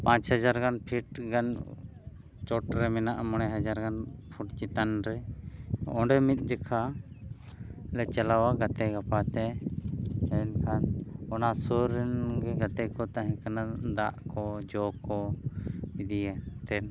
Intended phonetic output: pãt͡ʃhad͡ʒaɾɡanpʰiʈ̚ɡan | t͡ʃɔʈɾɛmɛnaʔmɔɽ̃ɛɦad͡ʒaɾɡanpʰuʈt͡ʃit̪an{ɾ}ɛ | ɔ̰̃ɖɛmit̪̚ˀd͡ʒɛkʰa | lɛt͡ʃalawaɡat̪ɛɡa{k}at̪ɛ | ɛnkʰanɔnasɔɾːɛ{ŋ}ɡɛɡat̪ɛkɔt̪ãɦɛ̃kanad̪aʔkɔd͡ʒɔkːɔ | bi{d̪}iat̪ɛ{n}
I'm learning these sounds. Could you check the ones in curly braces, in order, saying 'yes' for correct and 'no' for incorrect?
yes, no, no, yes, yes

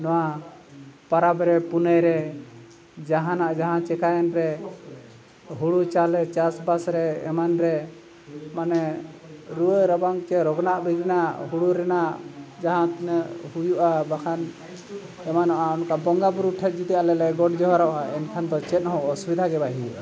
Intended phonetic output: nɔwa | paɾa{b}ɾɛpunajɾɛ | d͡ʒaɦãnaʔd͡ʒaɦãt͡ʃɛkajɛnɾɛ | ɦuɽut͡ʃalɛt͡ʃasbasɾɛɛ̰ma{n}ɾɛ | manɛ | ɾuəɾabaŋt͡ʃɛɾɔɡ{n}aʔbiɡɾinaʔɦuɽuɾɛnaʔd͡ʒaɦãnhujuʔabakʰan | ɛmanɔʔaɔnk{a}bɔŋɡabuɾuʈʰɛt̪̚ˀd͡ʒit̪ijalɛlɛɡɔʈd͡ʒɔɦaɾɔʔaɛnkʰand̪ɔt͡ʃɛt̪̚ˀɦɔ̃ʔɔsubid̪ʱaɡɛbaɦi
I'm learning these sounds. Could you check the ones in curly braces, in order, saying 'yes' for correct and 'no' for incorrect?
yes, yes, yes, yes

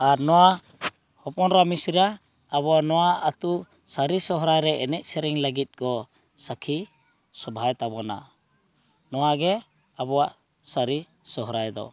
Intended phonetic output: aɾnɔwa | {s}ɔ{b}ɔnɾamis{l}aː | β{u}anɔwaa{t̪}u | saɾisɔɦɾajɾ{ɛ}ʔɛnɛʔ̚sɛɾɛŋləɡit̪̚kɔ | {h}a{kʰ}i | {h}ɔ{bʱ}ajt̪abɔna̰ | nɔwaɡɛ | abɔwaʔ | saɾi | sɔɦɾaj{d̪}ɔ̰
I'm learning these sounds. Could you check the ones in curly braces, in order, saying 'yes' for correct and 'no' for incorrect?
no, no, no, no, yes, yes, no, yes, no, yes, yes

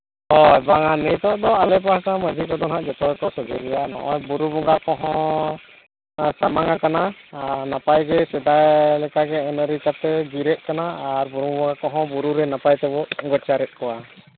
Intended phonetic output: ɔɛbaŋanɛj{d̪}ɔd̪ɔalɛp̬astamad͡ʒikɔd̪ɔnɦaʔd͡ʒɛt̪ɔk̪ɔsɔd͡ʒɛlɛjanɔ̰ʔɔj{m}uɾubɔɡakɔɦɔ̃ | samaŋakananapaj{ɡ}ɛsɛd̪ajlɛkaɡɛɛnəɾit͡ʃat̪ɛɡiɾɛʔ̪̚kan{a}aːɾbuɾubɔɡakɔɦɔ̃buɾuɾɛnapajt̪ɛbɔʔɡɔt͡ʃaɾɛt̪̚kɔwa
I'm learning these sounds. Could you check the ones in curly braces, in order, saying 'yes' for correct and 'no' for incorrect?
no, no, yes, yes

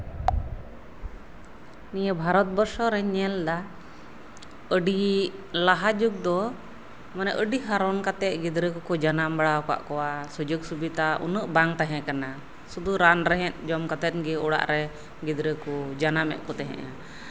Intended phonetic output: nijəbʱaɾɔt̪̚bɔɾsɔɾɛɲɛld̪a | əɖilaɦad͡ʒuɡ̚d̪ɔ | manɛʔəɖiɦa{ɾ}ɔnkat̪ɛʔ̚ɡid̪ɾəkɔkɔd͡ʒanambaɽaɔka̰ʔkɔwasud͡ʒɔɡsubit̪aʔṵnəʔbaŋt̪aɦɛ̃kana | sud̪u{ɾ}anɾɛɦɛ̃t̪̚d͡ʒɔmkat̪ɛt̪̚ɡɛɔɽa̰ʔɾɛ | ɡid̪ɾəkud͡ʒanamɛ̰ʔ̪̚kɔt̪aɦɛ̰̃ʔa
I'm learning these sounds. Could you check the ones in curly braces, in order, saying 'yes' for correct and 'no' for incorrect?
yes, yes

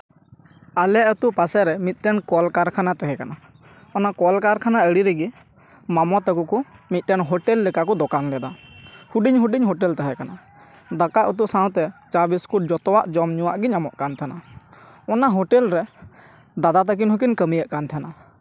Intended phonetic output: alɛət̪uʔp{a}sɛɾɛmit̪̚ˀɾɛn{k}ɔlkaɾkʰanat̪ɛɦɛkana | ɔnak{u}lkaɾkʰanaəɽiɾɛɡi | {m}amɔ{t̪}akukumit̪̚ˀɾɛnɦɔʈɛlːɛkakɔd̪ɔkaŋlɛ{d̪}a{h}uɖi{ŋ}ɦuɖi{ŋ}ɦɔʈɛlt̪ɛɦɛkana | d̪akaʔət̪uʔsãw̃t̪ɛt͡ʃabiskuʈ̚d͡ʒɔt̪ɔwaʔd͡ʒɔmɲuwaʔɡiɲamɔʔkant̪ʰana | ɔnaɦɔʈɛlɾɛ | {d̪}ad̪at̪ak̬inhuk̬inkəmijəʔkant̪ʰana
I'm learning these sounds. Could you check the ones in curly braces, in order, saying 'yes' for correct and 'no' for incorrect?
yes, yes, no, yes, yes, yes, yes, no, no, yes

